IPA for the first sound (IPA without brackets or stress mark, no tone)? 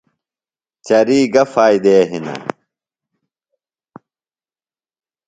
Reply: t͡ɕ